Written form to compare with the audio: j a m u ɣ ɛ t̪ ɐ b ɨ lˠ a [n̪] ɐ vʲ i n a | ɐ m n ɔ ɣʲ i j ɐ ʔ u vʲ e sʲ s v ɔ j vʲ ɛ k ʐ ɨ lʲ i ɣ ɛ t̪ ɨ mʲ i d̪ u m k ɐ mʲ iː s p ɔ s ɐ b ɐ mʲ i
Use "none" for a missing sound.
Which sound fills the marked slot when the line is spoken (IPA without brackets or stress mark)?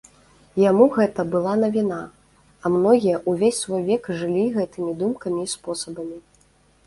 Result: n̪